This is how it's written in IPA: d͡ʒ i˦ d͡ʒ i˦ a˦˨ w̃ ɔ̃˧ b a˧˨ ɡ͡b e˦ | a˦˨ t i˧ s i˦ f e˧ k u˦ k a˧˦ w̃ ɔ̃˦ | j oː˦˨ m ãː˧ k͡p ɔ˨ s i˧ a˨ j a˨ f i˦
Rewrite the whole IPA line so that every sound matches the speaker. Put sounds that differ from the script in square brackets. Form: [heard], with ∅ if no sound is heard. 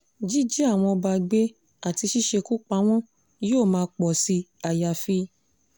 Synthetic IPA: d͡ʒ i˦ d͡ʒ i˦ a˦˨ w̃ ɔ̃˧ b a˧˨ ɡ͡b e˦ | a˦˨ t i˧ [ʃ] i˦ [ʃ] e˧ k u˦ [k͡p] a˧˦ w̃ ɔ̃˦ | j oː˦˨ m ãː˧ k͡p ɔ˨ s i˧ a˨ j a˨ f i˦